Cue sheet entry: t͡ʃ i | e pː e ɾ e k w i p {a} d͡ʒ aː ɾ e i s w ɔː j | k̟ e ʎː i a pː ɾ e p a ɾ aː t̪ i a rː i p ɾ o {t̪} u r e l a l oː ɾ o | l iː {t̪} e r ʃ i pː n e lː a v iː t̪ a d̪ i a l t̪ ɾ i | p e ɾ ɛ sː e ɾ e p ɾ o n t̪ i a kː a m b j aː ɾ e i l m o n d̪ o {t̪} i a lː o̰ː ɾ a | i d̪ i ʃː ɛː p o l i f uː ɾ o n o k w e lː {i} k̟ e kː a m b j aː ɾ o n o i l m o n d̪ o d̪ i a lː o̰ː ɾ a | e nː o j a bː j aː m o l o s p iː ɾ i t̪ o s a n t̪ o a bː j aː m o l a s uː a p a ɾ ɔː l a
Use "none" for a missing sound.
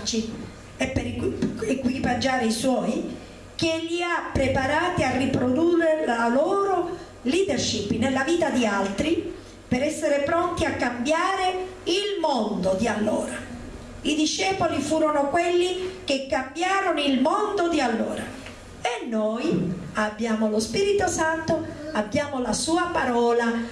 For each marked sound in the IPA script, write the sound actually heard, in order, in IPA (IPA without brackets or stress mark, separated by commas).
a, d̪, d̪, d̪, i